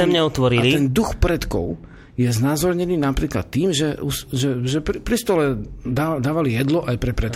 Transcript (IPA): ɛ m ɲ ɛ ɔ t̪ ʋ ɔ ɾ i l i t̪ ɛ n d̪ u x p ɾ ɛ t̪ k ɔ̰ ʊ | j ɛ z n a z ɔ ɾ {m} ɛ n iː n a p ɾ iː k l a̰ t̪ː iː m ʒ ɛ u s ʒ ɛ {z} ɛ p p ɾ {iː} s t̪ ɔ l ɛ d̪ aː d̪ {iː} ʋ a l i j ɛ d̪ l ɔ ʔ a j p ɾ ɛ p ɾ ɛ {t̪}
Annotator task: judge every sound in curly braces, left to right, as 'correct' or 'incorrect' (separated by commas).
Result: incorrect, incorrect, incorrect, incorrect, correct